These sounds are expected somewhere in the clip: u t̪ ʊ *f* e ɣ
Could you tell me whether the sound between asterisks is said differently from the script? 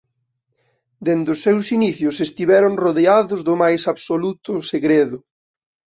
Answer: yes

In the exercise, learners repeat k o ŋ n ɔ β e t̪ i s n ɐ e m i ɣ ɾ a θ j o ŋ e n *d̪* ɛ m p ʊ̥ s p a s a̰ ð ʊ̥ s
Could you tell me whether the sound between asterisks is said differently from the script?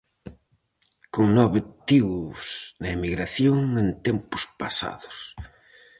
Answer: yes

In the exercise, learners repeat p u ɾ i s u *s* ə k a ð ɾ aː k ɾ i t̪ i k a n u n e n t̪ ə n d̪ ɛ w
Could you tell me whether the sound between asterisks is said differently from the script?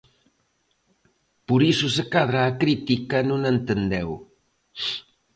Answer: no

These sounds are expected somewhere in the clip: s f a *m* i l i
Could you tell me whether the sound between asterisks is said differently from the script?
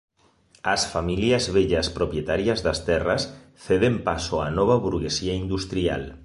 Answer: no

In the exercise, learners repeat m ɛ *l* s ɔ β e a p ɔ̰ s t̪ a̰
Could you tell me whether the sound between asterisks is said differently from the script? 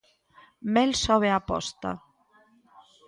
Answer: no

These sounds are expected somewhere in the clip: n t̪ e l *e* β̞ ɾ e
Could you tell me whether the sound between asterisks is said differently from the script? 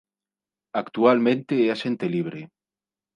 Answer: yes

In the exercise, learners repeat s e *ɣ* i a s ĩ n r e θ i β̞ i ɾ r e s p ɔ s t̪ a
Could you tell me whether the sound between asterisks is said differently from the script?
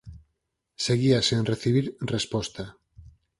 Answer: no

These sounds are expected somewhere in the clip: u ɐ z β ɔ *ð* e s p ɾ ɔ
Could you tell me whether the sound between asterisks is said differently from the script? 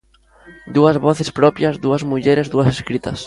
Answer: yes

